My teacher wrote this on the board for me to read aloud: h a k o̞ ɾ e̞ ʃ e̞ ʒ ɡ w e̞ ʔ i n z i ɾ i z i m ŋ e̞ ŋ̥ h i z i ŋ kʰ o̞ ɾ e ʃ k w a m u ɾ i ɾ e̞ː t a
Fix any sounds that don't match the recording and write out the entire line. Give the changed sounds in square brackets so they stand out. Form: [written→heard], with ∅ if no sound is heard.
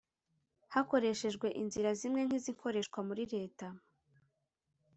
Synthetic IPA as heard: h a k o̞ ɾ e̞ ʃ e̞ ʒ ɡ w e̞ ʔ i n z i ɾ [i→a] z i m ŋ e̞ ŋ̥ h i z i ŋ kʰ o̞ ɾ e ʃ k w a m u ɾ i ɾ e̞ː t a